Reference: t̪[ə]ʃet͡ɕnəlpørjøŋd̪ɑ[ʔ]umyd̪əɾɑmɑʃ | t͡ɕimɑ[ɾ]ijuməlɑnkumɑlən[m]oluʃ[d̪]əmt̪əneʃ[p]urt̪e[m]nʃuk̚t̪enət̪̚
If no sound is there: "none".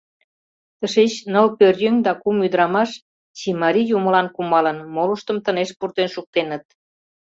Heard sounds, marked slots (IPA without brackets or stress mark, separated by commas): ə, k, ɾ, m, t̪, p, none